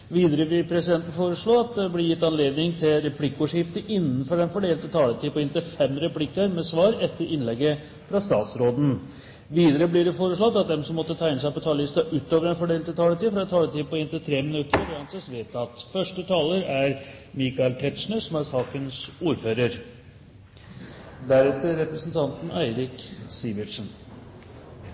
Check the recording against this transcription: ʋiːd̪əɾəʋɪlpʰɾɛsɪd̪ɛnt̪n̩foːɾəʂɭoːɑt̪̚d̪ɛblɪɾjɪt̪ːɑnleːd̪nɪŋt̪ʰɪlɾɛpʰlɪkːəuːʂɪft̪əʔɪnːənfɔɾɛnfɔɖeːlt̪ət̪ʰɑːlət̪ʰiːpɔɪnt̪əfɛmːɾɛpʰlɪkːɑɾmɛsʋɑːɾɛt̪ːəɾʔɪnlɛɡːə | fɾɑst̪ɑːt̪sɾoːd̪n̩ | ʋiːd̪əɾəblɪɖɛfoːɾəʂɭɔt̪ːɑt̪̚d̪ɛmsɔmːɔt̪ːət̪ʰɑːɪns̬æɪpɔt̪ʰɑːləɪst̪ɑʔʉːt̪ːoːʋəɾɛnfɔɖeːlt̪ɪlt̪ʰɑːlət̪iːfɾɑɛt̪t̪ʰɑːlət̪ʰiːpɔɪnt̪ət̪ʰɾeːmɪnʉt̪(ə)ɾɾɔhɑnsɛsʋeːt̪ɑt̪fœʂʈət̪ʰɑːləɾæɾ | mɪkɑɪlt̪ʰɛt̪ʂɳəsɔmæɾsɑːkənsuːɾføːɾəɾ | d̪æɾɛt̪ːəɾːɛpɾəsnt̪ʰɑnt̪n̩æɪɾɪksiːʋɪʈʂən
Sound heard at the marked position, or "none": ə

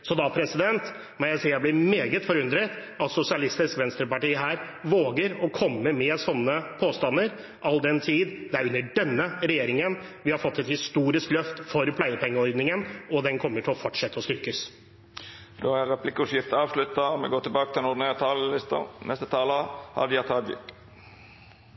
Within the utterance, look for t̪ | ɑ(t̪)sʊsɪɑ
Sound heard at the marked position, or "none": t̪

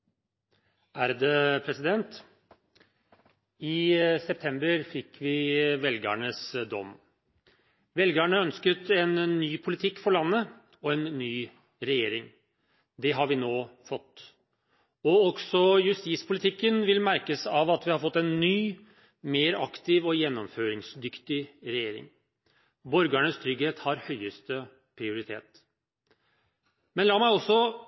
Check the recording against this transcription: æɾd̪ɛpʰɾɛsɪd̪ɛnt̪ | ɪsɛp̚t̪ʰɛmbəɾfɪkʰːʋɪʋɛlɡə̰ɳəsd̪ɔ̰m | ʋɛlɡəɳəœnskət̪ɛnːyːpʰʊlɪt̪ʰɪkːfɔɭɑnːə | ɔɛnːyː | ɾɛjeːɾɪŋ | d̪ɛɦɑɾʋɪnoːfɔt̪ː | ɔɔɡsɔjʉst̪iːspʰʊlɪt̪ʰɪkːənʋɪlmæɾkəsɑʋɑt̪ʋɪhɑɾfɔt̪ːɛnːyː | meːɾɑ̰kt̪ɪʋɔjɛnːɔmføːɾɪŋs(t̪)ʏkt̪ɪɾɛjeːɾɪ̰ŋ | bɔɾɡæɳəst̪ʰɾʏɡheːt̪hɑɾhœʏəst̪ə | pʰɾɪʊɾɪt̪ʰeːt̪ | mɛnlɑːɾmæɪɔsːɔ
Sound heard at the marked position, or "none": d̪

